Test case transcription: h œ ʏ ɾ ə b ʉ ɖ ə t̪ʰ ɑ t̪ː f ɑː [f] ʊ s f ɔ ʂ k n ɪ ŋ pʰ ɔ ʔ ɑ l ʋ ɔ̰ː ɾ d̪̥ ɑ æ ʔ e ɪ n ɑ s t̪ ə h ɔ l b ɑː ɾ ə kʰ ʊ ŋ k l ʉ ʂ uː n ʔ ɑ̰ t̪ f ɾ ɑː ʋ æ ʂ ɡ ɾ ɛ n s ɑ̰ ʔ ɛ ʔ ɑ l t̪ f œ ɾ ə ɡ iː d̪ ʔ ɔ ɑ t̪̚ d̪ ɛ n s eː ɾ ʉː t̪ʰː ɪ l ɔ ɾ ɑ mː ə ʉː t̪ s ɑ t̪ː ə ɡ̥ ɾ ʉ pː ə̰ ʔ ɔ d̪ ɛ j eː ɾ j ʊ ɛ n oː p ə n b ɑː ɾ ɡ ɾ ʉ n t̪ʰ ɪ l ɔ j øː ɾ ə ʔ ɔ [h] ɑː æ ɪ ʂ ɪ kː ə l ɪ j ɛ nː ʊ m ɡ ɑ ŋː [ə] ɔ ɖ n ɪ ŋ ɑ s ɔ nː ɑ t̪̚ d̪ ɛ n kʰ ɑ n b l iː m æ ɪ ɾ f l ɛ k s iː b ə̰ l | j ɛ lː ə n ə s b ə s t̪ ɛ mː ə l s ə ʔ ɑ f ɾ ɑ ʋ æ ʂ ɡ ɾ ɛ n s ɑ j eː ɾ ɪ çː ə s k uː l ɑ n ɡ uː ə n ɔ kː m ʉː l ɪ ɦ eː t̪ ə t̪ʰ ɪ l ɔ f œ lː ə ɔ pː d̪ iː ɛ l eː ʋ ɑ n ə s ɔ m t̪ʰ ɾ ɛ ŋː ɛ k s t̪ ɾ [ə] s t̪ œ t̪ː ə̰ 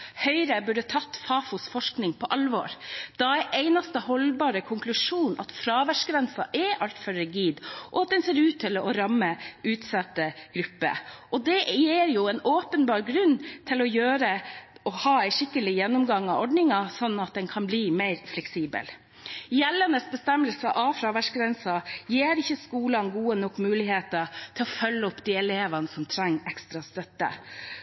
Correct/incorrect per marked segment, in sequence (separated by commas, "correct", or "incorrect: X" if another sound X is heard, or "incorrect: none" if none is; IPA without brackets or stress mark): correct, correct, incorrect: ɑ, incorrect: ɑ